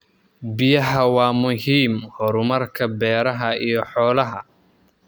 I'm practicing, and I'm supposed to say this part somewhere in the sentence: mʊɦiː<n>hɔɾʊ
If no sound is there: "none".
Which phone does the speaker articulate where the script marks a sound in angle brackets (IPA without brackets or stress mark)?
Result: m